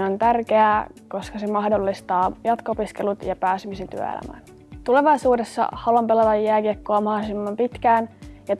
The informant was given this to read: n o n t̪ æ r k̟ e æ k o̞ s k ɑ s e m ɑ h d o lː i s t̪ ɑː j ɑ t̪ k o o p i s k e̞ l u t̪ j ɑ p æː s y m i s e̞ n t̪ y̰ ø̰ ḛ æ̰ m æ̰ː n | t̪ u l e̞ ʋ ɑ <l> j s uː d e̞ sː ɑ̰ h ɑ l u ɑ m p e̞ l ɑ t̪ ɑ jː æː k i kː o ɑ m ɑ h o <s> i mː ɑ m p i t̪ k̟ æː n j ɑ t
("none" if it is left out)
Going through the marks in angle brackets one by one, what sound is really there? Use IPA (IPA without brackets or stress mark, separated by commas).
none, s